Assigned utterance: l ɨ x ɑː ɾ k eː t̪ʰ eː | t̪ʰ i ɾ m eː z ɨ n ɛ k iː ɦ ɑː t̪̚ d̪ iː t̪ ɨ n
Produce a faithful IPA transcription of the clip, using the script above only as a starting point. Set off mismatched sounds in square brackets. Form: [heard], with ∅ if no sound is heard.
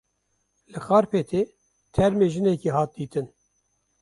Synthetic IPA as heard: l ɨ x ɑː ɾ [p] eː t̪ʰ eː | t̪ʰ [ɛ] ɾ m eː [ʒ] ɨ n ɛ k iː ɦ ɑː t̪̚ d̪ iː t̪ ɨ n